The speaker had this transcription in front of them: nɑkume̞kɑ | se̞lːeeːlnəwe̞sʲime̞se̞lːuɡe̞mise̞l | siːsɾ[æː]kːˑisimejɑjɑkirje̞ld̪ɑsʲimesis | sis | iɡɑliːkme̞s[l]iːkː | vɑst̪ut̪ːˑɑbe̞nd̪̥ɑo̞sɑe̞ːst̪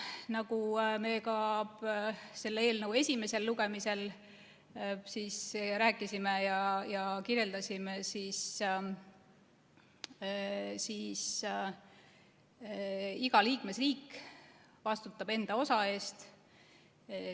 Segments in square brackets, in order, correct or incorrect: correct, incorrect: r

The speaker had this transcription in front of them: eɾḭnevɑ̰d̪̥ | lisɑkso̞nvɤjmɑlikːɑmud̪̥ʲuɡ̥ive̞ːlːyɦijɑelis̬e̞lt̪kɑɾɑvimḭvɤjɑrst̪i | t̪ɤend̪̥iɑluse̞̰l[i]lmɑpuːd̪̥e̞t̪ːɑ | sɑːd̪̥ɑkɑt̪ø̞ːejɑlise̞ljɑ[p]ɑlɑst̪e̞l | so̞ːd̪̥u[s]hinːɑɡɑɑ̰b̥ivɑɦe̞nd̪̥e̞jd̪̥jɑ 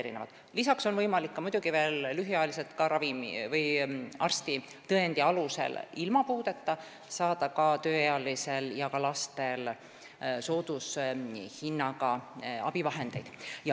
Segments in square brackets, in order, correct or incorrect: correct, incorrect: k, correct

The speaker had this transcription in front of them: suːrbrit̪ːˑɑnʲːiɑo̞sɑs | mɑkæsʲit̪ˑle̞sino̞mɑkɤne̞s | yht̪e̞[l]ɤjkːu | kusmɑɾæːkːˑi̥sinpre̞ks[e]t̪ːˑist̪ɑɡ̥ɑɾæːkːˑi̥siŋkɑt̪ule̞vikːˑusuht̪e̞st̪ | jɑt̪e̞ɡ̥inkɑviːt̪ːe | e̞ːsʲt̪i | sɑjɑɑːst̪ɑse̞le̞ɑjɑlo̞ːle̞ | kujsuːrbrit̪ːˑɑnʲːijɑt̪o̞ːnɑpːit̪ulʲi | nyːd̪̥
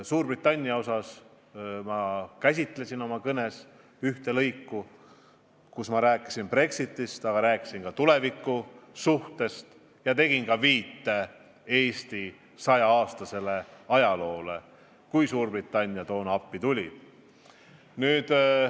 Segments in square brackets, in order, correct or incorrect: correct, incorrect: i

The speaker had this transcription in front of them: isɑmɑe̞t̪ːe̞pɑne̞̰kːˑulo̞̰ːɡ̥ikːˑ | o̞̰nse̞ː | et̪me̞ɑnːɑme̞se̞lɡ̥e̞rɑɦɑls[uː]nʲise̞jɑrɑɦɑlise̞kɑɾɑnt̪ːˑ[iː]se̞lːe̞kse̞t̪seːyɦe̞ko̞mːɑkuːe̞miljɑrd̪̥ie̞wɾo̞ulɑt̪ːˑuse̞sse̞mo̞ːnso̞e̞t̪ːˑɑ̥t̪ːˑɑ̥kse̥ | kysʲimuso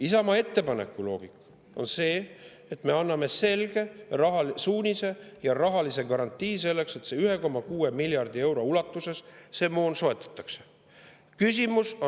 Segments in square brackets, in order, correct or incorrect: correct, correct

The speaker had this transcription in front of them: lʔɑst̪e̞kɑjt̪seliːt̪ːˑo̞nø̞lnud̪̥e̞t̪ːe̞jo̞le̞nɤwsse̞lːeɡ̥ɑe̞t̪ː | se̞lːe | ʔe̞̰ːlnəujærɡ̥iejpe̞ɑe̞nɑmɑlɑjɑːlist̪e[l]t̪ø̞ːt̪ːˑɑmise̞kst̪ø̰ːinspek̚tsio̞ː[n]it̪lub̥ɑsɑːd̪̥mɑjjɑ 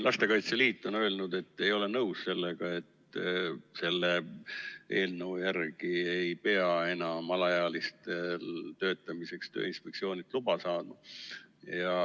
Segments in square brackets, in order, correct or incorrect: correct, correct

